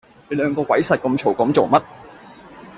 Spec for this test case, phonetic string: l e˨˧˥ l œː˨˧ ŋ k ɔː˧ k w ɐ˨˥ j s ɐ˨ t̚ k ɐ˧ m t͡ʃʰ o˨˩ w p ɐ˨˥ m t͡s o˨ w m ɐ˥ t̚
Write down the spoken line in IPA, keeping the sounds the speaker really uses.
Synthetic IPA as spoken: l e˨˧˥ l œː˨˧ ŋ k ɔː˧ k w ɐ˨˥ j s ɐ˨ t̚ k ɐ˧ m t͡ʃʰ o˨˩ w k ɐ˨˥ m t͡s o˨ w m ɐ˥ t̚